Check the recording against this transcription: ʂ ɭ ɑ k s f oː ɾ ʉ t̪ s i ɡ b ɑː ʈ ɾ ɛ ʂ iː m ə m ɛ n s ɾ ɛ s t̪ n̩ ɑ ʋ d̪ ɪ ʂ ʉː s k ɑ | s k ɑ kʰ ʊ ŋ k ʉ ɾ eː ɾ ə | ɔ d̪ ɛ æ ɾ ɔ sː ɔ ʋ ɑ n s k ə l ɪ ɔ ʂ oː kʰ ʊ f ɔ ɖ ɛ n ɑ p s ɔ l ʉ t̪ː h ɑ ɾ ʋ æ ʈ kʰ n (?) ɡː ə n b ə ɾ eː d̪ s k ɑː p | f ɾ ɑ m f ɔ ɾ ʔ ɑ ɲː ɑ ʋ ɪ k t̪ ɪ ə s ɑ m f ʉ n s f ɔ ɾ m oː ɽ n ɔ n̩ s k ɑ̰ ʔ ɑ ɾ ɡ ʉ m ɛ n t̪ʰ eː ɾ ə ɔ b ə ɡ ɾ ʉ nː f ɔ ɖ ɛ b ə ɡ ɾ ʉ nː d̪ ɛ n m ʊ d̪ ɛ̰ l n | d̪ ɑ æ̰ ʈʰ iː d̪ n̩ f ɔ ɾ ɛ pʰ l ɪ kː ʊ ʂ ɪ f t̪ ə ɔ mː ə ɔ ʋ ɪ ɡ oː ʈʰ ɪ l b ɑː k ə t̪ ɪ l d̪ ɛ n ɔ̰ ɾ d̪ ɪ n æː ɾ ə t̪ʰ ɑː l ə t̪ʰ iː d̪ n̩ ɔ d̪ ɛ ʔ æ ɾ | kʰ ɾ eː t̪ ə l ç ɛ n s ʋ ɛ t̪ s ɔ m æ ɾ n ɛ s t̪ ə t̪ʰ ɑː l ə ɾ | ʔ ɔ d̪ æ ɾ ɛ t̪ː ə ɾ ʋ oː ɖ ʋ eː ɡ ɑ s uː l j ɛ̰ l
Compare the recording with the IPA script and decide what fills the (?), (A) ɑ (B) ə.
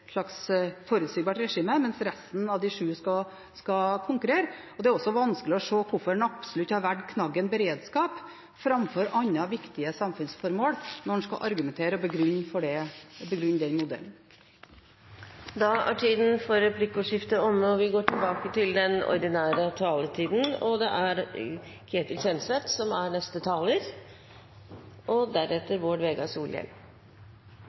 A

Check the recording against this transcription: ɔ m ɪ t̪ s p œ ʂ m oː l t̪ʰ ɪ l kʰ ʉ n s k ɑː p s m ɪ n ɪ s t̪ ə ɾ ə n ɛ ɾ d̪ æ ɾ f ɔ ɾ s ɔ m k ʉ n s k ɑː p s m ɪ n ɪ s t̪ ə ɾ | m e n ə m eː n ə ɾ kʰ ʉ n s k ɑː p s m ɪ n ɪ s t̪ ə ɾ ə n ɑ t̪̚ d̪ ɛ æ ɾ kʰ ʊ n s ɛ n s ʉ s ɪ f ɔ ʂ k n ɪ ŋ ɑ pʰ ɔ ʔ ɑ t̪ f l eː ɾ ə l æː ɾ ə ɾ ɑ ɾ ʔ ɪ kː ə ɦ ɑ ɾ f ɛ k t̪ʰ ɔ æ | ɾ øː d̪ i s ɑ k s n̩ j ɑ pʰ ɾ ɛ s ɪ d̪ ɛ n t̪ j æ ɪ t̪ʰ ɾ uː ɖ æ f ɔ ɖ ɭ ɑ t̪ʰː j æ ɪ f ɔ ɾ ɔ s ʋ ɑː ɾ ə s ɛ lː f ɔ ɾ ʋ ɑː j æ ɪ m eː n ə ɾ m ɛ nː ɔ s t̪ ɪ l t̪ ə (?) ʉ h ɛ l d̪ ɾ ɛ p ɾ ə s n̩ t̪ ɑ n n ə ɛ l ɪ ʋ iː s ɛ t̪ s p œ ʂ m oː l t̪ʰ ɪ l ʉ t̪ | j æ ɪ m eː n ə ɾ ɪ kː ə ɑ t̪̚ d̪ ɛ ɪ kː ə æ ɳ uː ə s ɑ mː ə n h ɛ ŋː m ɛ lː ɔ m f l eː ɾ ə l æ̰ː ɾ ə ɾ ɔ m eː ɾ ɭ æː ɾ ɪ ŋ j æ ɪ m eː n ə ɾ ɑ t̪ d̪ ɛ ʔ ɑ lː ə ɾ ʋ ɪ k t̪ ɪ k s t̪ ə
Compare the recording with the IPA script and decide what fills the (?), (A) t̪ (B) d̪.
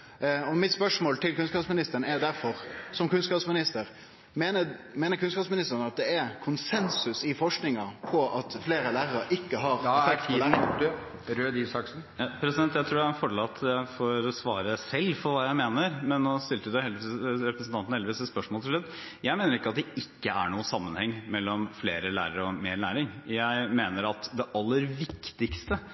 B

